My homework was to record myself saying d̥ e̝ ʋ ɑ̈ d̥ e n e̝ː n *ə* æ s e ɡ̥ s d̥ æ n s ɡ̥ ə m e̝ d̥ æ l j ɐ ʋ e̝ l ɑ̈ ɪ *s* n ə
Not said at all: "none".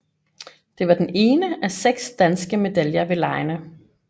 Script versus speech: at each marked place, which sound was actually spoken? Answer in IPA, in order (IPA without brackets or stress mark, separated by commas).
ə, none